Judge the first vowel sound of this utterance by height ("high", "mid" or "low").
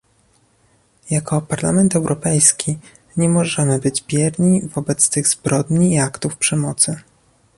low